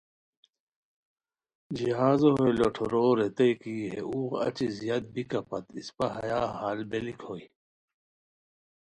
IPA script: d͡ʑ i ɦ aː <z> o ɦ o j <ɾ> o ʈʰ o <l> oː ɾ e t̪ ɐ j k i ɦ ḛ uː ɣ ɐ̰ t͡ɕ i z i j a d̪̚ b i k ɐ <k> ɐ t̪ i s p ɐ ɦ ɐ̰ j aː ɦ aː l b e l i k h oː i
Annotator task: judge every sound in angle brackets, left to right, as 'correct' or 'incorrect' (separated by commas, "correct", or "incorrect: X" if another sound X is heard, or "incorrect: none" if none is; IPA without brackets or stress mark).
correct, incorrect: l, incorrect: ɾ, incorrect: p